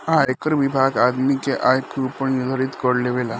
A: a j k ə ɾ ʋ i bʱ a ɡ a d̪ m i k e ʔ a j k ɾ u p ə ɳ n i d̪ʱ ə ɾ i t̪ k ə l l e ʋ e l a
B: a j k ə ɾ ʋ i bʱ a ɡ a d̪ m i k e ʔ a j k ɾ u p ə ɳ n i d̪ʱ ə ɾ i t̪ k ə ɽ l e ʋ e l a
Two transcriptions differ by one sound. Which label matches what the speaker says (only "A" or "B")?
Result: B